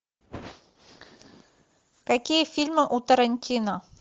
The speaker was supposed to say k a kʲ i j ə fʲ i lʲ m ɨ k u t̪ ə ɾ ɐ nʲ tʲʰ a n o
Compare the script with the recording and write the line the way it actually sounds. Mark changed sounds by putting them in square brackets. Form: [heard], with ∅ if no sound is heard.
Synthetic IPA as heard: k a kʲ i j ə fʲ i lʲ m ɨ [ʔ] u t̪ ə ɾ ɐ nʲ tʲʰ [i] n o